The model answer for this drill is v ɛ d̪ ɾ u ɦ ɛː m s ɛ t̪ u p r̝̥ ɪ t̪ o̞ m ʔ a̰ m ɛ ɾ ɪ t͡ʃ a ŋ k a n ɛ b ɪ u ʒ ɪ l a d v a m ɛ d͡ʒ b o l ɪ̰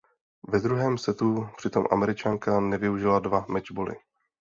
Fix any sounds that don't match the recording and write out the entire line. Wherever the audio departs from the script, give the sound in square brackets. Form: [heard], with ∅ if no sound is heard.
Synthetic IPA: v ɛ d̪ ɾ u ɦ ɛː m s ɛ t̪ u p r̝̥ ɪ t̪ o̞ m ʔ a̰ m ɛ ɾ ɪ t͡ʃ a ŋ k a n ɛ [v] ɪ u ʒ ɪ l a d v a m ɛ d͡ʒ b o l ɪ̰